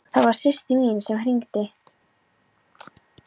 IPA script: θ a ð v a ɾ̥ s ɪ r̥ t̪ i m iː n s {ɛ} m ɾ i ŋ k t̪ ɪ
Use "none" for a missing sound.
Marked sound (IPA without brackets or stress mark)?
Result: ɛ